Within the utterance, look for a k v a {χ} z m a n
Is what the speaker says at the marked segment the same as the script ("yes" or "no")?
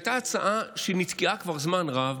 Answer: no